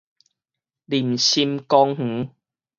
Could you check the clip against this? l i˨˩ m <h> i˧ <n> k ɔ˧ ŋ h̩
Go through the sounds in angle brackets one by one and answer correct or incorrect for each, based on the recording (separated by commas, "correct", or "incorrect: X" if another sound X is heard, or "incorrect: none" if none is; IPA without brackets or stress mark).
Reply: incorrect: ɕ, incorrect: m